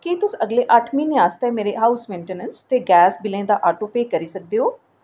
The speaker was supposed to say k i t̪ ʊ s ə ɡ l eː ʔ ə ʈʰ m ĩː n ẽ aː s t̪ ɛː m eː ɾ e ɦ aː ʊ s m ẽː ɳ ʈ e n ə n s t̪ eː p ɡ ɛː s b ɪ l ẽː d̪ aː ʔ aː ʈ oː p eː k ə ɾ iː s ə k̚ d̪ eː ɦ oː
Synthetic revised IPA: k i t̪ ʊ s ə ɡ l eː ʔ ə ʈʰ m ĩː n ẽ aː s t̪ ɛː m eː ɾ e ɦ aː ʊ s m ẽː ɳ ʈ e n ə n s t̪ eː ɡ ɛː s b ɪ l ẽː d̪ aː ʔ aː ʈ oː p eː k ə ɾ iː s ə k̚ d̪ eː ɦ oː